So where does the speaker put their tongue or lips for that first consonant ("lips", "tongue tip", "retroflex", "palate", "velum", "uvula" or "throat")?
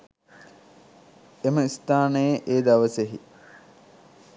lips